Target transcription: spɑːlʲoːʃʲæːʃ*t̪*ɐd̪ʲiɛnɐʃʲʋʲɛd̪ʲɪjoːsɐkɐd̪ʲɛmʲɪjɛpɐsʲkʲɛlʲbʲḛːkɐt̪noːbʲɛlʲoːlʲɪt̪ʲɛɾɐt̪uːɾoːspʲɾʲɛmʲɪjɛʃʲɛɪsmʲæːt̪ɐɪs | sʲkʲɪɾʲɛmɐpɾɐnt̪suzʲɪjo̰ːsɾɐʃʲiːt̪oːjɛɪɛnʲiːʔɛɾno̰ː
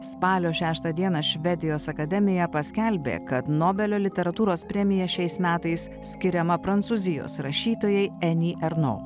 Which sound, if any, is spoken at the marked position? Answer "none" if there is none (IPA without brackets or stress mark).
t̪